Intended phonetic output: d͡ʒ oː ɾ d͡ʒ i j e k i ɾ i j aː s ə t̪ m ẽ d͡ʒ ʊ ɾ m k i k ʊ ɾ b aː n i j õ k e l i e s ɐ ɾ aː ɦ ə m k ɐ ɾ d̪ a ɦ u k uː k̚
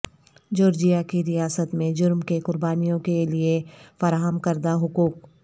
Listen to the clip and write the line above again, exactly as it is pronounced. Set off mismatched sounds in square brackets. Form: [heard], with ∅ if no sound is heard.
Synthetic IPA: d͡ʒ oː ɾ d͡ʒ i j [a] k i ɾ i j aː s ə t̪ m ẽ d͡ʒ ʊ ɾ m k [e] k ʊ ɾ b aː n i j õ k e l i e [f] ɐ ɾ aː ɦ ə m k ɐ ɾ d̪ a ɦ [ʊ] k uː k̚